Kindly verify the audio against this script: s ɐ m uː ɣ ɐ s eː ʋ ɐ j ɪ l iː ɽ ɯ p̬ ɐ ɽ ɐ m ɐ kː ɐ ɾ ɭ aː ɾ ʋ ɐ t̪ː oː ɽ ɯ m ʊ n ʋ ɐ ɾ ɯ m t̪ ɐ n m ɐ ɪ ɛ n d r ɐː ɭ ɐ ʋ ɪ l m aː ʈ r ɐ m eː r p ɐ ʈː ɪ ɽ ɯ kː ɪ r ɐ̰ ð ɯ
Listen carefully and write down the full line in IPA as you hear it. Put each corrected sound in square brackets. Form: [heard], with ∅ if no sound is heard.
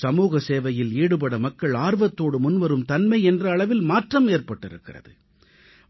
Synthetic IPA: s ɐ m uː ɣ ɐ s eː ʋ ɐ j ɪ l iː ɽ ɯ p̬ ɐ ɽ ɐ m ɐ kː ɐ [∅] ɭ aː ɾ ʋ ɐ t̪ː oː ɽ ɯ m ʊ n ʋ ɐ ɾ ɯ m t̪ ɐ n m ɐ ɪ ɛ n d r ɐː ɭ ɐ ʋ ɪ l m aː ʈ r ɐ m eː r p ɐ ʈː ɪ [ɾ] ɯ kː ɪ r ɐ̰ ð ɯ

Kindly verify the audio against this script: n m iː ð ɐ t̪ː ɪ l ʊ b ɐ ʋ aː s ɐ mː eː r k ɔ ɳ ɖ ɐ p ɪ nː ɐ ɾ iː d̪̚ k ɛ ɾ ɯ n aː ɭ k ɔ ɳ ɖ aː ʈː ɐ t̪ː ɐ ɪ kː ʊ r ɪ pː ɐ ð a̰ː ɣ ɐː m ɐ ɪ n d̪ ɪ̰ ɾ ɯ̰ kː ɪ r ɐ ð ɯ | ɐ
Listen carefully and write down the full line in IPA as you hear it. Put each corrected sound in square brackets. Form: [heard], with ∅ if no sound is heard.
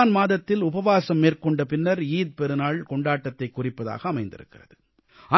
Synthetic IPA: n m [aː] ð ɐ t̪ː ɪ l ʊ b ɐ ʋ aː s ɐ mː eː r k ɔ ɳ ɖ ɐ p ɪ nː ɐ ɾ iː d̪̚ [p] ɛ ɾ ɯ n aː ɭ k ɔ ɳ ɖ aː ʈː ɐ t̪ː ɐ ɪ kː ʊ r ɪ pː ɐ ð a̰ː ɣ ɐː m ɐ ɪ n d̪ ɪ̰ ɾ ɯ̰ kː ɪ r ɐ ð ɯ | ɐ

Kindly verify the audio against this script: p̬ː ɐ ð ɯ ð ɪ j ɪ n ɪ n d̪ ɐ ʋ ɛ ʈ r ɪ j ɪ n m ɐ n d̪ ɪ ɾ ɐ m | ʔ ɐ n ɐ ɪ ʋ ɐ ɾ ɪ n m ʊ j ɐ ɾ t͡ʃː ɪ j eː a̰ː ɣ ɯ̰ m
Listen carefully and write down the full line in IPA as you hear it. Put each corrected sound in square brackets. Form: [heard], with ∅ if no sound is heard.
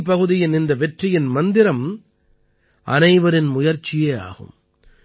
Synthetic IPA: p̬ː ɐ [ɣ] ɯ ð ɪ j ɪ n ɪ n d̪ ɐ ʋ ɛ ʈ r ɪ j ɪ n m ɐ n d̪ ɪ ɾ ɐ m | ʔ ɐ n ɐ ɪ ʋ ɐ ɾ ɪ n m ʊ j ɐ ɾ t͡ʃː ɪ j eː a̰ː ɣ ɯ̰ m

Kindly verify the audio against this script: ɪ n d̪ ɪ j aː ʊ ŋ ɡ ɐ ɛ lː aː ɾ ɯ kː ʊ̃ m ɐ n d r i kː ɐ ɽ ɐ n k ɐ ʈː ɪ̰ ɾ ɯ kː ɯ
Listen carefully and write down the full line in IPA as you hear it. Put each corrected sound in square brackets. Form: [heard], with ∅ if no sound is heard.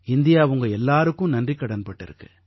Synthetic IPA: ɪ n d̪ ɪ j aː ʊ ŋ ɡ ɐ ɛ lː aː ɾ ɯ kː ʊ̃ [n] ɐ n d r i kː ɐ ɽ ɐ n [p] ɐ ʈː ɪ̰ ɾ ɯ kː ɯ

